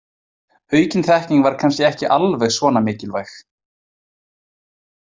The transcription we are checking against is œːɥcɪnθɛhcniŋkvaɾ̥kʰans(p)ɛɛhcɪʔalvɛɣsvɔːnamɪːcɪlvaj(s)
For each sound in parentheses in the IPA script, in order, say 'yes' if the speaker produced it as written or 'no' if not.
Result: no, no

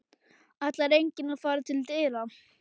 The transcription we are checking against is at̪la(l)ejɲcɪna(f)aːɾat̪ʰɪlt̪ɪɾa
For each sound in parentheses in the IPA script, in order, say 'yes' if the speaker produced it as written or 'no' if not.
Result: no, yes

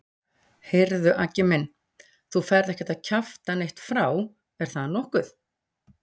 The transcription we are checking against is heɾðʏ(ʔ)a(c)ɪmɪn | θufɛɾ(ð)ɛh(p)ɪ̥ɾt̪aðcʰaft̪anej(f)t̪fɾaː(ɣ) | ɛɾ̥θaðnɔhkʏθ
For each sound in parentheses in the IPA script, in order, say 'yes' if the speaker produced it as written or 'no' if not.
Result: yes, yes, yes, no, no, no

